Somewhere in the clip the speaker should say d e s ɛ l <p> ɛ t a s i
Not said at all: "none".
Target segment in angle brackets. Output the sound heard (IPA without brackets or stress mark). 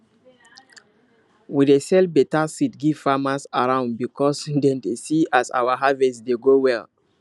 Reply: b